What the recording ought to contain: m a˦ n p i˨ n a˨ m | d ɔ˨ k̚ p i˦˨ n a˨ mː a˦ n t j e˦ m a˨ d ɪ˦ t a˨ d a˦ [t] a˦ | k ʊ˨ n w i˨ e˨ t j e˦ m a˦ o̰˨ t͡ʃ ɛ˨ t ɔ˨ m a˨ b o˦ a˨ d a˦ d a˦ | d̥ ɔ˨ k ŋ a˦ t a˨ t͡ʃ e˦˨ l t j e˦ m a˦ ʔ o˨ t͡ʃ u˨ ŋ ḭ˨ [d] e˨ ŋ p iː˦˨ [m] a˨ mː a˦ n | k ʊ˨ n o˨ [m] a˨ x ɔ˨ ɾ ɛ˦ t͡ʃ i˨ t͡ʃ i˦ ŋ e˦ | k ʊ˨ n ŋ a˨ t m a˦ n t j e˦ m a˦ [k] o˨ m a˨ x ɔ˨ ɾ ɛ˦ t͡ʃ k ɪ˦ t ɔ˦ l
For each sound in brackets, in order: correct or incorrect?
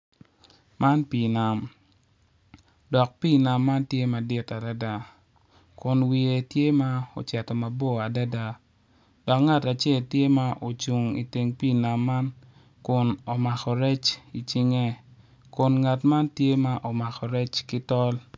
incorrect: d, incorrect: t, incorrect: n, correct, incorrect: ʔ

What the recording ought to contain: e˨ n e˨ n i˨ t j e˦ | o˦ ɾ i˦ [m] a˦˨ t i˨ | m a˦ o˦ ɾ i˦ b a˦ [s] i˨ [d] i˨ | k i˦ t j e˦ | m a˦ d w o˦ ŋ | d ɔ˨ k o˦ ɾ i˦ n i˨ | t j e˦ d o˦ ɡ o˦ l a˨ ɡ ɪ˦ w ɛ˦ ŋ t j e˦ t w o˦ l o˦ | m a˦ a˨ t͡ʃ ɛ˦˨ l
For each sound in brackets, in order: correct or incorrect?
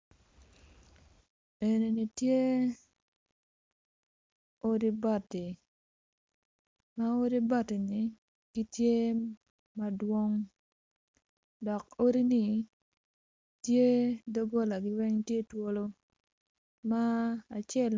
incorrect: b, incorrect: t, incorrect: n

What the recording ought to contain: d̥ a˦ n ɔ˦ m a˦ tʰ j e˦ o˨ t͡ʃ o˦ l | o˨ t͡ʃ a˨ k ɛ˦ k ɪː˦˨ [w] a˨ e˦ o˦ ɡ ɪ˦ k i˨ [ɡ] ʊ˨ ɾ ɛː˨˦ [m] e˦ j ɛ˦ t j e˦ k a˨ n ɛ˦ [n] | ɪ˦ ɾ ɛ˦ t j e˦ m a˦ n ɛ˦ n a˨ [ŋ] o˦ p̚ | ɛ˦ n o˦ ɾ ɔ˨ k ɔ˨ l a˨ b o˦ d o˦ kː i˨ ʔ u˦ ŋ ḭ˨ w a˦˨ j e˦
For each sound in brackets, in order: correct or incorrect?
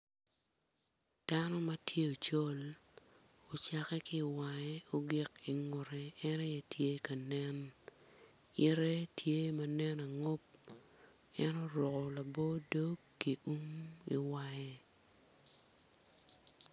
correct, incorrect: ŋ, incorrect: n, correct, correct

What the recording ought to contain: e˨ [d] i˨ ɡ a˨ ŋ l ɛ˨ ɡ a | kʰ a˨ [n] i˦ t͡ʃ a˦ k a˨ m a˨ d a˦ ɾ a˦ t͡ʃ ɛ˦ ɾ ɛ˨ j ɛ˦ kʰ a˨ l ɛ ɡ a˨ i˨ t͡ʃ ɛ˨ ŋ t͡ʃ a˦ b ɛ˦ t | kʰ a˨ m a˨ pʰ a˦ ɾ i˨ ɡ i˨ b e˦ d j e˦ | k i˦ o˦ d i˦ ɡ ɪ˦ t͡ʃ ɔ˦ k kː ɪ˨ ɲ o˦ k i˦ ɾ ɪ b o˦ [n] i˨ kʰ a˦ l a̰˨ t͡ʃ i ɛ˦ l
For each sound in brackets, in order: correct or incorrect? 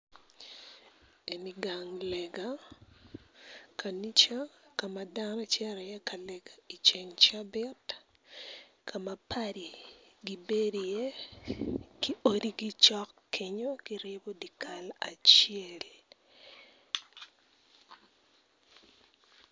incorrect: n, correct, incorrect: d

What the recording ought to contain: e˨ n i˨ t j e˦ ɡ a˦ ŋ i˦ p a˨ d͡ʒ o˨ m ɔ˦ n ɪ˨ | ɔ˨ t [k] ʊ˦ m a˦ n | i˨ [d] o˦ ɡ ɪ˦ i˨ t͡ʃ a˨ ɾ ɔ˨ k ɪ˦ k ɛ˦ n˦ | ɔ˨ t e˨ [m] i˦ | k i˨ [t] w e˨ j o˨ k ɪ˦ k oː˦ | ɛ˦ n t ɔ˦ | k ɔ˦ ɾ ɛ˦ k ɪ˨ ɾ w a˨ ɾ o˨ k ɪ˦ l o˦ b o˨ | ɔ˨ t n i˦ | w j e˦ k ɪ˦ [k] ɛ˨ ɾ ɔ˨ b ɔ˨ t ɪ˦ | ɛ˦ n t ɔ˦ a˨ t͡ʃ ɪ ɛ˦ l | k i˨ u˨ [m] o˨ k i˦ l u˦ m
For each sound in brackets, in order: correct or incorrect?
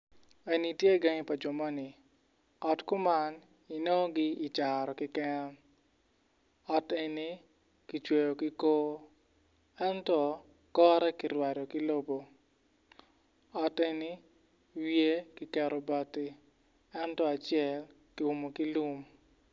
correct, incorrect: n, incorrect: n, incorrect: t͡ʃ, correct, correct

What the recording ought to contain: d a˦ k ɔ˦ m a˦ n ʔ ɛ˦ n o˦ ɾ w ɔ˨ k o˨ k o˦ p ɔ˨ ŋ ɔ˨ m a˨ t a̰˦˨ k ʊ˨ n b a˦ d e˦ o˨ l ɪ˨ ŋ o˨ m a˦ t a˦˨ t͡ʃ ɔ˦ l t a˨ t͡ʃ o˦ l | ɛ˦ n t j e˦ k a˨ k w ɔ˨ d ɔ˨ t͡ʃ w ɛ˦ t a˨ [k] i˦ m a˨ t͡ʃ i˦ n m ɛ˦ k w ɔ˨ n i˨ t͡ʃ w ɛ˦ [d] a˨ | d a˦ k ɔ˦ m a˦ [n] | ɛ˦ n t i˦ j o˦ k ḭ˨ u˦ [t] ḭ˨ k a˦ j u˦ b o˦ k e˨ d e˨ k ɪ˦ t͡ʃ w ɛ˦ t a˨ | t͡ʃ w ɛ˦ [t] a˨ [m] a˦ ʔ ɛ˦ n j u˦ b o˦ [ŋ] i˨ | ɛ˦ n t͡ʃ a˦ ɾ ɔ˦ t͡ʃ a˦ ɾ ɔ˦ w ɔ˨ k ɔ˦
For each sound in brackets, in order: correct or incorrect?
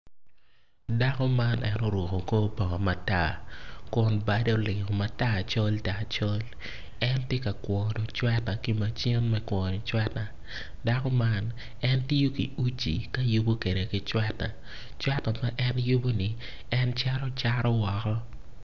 correct, incorrect: t, correct, incorrect: t͡ʃ, correct, correct, incorrect: n

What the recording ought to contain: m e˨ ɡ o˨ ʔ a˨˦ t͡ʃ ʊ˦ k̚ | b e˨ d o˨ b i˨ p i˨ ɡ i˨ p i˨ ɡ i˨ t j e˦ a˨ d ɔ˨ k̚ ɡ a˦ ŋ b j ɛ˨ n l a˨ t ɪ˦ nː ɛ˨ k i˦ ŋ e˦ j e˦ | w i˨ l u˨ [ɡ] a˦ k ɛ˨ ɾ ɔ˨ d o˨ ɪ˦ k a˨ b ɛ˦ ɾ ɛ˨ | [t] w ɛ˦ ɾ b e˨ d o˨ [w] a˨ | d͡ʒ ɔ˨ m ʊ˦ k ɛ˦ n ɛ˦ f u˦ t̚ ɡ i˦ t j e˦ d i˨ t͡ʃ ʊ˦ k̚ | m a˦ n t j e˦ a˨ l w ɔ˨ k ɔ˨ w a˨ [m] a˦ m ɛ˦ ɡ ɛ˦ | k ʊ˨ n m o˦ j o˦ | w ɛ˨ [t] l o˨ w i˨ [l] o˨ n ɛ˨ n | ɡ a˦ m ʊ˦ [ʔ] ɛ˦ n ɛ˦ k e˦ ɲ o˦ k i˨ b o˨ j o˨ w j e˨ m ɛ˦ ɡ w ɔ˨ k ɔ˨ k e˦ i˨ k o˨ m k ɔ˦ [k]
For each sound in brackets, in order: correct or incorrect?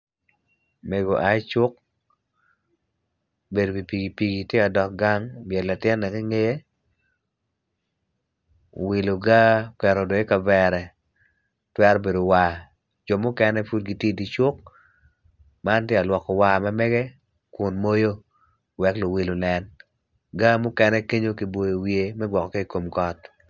correct, correct, correct, correct, incorrect: k, correct, incorrect: k, incorrect: t

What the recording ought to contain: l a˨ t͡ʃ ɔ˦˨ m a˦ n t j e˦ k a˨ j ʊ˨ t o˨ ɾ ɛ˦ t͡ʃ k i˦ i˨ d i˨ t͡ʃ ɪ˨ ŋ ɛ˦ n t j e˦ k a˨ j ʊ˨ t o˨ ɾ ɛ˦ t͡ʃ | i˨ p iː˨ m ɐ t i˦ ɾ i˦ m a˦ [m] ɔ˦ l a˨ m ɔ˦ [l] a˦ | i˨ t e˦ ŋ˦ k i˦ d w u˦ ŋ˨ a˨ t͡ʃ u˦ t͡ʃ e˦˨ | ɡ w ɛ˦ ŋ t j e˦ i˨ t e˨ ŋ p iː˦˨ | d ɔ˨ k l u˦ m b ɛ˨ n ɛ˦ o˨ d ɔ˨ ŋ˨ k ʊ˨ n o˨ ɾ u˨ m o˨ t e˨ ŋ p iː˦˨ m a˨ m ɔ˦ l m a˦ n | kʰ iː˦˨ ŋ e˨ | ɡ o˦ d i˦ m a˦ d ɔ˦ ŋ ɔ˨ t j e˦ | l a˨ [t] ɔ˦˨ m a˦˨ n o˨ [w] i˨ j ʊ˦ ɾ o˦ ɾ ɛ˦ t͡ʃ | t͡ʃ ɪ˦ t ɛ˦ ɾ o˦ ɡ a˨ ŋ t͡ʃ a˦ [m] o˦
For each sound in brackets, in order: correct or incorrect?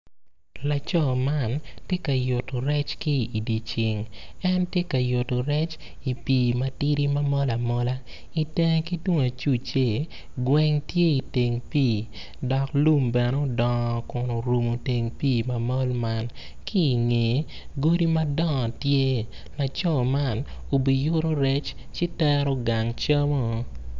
correct, correct, incorrect: t͡ʃ, incorrect: b, correct

